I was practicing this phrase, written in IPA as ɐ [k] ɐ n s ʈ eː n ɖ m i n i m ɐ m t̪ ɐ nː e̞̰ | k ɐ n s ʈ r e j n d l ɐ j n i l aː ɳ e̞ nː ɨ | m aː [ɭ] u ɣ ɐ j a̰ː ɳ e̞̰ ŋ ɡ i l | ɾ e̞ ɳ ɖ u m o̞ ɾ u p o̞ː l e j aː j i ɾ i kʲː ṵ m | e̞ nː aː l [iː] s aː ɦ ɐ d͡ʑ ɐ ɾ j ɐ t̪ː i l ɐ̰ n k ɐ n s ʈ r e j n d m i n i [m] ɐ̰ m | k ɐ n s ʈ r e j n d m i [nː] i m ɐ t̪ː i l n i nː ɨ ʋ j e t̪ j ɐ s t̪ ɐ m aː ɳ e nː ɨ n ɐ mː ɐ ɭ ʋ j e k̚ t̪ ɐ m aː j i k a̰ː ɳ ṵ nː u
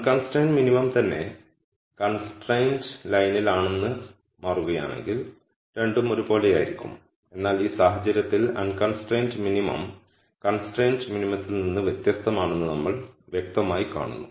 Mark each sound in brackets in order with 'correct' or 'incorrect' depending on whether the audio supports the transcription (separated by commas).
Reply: correct, incorrect, correct, correct, incorrect